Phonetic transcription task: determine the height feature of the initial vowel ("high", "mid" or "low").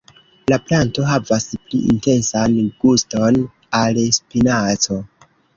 low